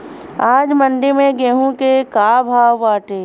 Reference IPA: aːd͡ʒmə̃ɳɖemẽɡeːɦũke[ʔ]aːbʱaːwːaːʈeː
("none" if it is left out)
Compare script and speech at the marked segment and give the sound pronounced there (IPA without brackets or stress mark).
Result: k